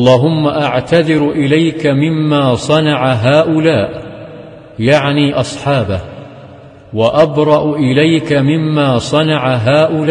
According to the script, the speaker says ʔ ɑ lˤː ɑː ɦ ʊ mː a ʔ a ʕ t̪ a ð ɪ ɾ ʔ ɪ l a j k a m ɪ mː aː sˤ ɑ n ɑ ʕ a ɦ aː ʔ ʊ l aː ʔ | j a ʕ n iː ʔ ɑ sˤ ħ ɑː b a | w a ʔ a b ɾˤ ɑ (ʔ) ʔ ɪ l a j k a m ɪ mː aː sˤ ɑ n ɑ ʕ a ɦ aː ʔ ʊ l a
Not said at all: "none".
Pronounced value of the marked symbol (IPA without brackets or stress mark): ʔ